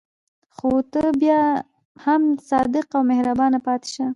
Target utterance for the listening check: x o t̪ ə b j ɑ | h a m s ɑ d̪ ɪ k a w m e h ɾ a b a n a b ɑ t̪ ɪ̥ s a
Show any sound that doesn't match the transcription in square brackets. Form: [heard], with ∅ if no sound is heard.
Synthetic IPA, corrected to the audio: x o t̪ ə b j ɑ | h a m s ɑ d̪ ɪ [q] a w m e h ɾ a b [ɑ] n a [p] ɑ t̪ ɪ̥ [ʃ] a